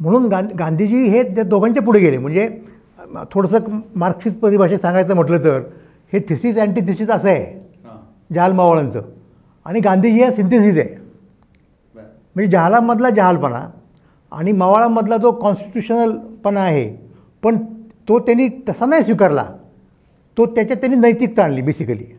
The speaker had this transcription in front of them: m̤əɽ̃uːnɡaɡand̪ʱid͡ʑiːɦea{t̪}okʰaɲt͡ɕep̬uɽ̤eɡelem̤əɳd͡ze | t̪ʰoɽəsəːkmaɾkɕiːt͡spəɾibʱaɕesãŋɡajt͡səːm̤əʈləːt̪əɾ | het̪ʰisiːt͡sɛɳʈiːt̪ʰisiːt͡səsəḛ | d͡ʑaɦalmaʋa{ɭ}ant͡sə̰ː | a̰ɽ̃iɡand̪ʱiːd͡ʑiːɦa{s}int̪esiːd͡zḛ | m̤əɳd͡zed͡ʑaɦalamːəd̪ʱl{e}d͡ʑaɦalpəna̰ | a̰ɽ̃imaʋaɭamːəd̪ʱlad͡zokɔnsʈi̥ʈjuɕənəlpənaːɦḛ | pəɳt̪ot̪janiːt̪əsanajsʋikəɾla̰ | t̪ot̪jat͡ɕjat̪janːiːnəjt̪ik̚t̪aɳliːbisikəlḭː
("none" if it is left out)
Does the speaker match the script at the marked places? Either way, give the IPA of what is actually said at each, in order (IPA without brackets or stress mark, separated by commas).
d̪, ɭ, s, a